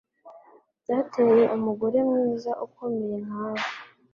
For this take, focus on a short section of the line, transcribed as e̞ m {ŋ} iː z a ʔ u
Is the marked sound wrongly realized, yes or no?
no